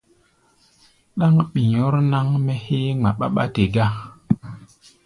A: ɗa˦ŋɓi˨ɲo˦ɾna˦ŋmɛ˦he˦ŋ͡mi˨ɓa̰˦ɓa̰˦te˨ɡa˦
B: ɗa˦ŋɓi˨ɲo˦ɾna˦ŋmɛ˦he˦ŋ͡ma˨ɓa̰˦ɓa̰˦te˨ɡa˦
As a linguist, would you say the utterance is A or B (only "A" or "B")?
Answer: B